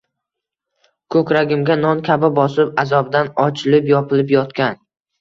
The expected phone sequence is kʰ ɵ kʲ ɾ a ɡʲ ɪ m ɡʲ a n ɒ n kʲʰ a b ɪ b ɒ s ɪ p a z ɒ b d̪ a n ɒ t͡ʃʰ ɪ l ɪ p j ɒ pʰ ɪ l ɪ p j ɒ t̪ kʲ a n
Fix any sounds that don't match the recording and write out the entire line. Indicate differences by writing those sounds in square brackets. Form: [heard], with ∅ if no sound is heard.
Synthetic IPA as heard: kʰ ɵ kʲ ɾ a ɡʲ ɪ m ɡʲ a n ɒ n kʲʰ a b ɪ b ɒ s ɪ p a z ɒ b d̪ a n ɒ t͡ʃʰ ɪ l ɪ p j ɒ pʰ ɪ l ɪ p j ɒ t̪ kʲ a n